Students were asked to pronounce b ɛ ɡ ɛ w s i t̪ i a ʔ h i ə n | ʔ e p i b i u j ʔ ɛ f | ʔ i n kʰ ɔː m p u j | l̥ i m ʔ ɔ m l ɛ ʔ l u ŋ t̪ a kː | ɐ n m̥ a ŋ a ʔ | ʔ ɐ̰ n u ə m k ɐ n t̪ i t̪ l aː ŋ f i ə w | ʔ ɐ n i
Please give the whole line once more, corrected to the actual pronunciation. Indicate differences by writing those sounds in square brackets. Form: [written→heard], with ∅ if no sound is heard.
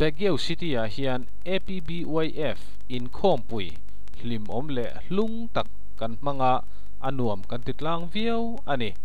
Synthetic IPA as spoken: b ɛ ɡ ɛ w s i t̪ i a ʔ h i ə n | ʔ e p i b i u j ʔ ɛ f | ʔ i n kʰ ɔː m p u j | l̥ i m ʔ ɔ m l ɛ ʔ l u ŋ t̪ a kː | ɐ n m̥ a ŋ a ʔ | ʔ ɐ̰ n u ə m k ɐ n t̪ i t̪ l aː ŋ [f→v] i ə w | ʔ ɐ n i